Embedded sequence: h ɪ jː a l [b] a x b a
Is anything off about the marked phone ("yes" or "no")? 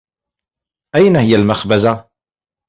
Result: yes